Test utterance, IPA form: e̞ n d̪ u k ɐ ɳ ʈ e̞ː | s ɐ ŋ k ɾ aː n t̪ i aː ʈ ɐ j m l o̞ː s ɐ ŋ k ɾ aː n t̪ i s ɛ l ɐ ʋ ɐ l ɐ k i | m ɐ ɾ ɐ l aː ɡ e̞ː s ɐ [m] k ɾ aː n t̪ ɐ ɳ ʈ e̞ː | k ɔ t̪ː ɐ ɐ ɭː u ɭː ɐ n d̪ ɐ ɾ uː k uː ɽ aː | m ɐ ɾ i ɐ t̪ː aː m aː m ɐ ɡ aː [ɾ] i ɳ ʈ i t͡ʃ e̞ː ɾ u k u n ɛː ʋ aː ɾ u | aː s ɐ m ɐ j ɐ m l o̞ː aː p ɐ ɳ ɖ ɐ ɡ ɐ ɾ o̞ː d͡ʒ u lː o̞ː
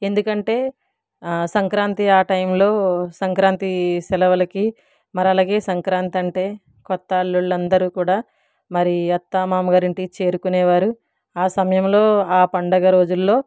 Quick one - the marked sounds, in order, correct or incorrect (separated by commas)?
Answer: incorrect, correct